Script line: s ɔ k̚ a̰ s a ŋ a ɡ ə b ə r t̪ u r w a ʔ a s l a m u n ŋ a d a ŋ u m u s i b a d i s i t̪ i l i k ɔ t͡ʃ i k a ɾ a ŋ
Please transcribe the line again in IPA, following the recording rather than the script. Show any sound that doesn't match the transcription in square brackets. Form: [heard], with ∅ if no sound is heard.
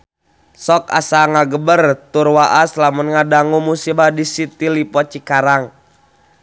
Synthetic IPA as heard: s ɔ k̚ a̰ s a ŋ a ɡ ə b ə r t̪ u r w a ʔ a s l a m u n ŋ a d a ŋ u m u s i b a d i s i t̪ i l i [p] ɔ t͡ʃ i k a ɾ a ŋ